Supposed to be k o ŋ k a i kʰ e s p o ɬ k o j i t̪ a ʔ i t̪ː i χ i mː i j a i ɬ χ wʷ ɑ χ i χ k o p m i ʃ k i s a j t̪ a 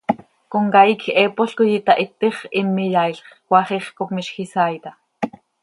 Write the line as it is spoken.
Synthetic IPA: k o ŋ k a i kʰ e p o ɬ k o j i t̪ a ʔ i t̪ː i χ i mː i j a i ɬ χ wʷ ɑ χ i χ k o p m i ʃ x i s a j t̪ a